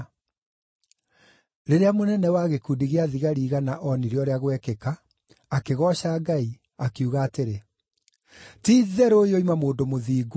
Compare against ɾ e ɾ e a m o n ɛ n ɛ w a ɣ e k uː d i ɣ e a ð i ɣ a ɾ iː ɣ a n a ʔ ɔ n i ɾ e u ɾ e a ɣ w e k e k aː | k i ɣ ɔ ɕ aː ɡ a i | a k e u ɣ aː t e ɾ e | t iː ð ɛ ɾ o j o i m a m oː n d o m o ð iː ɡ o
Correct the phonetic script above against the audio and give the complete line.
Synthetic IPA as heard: ɾ e ɾ e a m o n ɛ n ɛ w a ɣ e k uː d i ɣ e a ð i ɣ a ɾ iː ɣ a n a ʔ ɔ n i ɾ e ɔ ɾ e a ɣ w ɛ k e k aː | k e ɣ ɔ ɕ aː ɡ a i | a k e u ɣ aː t e ɾ e | t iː ð ɛ ɾ o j o i m a m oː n d o m o ð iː ɡ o